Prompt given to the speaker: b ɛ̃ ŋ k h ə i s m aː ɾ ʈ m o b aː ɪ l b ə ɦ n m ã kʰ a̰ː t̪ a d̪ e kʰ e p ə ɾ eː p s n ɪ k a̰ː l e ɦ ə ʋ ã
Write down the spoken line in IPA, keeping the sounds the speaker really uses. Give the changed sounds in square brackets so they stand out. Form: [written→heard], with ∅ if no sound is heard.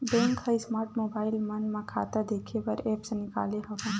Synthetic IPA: b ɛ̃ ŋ k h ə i s m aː ɾ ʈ m o b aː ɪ l [b→m] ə [ɦ→∅] n m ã kʰ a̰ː t̪ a d̪ e kʰ e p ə ɾ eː p s n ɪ k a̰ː l e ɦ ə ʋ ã